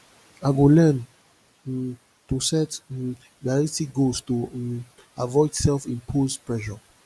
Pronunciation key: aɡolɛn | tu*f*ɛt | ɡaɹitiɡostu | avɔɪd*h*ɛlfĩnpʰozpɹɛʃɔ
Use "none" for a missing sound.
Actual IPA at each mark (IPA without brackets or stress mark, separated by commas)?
s, s